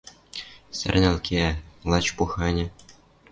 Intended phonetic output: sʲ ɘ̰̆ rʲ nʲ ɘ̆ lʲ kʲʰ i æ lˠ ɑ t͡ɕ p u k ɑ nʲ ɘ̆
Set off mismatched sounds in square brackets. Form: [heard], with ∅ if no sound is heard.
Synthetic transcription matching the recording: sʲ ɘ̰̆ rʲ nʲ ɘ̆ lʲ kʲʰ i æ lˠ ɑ t͡ɕ p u [x] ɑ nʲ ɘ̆